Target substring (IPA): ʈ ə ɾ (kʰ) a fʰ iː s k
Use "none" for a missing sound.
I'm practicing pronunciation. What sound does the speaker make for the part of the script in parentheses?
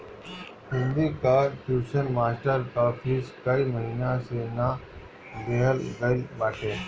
k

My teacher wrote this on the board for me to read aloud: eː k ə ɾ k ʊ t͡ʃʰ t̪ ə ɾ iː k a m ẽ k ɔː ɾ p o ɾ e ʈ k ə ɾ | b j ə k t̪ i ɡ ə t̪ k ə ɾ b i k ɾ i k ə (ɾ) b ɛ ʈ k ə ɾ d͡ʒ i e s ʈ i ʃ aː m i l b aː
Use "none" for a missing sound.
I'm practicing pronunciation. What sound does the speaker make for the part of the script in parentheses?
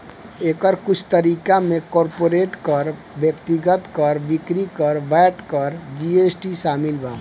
ɾ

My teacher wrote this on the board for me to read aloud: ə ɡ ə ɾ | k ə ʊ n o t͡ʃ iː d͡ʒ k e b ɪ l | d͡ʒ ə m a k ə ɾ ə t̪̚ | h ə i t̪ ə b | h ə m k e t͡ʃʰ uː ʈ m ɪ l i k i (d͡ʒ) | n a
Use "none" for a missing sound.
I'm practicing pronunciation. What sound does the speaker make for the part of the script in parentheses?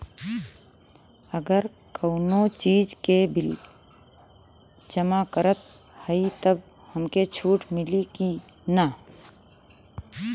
none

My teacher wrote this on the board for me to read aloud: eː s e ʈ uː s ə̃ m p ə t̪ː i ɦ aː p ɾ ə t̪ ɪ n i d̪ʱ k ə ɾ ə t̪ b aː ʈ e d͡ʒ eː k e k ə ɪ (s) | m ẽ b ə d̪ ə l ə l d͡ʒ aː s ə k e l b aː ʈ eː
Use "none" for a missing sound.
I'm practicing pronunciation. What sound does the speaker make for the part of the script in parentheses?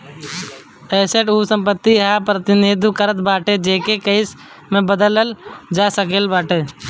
s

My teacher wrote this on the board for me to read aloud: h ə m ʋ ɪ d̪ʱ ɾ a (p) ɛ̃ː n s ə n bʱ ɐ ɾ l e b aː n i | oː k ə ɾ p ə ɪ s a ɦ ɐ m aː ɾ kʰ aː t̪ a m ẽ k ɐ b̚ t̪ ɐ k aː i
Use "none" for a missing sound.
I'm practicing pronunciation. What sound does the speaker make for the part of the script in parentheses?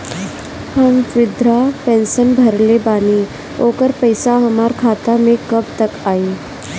p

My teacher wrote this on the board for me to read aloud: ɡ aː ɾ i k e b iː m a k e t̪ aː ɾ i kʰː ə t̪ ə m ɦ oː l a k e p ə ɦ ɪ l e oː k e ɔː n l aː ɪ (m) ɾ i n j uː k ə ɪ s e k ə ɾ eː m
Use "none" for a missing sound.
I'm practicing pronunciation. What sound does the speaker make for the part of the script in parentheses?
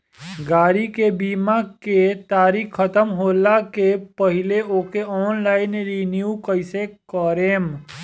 n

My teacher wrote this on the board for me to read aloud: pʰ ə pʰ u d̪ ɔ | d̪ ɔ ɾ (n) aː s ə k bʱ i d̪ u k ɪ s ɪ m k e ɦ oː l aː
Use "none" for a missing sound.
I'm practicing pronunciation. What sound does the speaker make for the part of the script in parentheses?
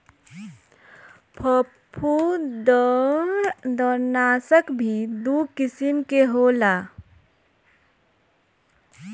n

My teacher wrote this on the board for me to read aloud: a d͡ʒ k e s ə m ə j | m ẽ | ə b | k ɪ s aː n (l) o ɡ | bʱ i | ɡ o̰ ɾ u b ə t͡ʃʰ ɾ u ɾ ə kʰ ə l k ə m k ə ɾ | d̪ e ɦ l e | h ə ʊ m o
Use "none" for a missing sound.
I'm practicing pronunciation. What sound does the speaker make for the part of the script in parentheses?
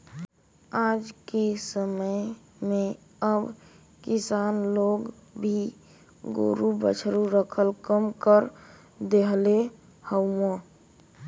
l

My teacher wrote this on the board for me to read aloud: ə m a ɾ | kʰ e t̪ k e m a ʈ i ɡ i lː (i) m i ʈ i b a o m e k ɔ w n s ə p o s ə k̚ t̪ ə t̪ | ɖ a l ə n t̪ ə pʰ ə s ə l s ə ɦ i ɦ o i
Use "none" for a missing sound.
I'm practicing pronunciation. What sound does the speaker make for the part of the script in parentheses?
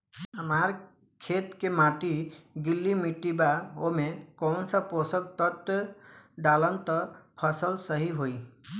i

